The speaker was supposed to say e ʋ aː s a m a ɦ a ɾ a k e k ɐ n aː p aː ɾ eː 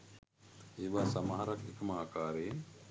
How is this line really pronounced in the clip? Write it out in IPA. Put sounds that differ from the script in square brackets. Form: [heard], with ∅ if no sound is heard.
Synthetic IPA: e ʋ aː s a m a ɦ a ɾ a k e k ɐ [m] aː [k] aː ɾ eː